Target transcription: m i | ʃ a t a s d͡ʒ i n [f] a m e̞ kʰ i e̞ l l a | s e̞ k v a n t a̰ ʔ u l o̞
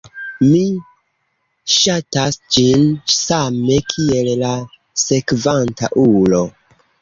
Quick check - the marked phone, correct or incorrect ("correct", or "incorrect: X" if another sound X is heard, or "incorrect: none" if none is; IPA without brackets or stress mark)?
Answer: incorrect: s